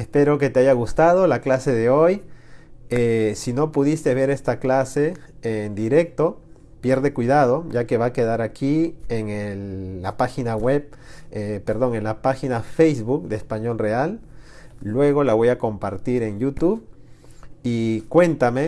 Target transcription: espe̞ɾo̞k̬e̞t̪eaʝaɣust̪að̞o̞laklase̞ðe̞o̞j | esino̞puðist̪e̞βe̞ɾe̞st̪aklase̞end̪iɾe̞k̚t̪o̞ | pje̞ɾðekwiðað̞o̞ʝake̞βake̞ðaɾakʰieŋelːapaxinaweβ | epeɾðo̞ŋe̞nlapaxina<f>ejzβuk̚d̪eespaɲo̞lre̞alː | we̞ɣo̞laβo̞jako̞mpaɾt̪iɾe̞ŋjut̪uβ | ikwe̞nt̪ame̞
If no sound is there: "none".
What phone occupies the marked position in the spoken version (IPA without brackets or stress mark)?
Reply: f